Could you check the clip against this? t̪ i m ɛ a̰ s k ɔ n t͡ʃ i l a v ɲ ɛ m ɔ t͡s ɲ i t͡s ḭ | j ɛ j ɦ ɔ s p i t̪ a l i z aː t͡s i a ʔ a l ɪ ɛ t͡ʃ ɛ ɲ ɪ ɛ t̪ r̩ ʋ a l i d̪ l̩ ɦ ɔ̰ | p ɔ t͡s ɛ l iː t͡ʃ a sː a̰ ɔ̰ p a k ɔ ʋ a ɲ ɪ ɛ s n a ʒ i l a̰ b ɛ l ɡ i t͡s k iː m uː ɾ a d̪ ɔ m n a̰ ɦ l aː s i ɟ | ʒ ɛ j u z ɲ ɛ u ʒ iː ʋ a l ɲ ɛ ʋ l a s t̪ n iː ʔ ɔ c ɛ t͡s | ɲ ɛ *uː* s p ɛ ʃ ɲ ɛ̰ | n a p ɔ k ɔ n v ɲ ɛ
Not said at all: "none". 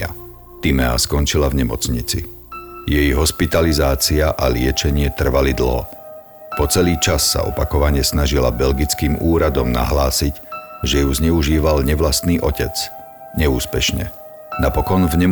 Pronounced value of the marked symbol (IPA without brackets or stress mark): uː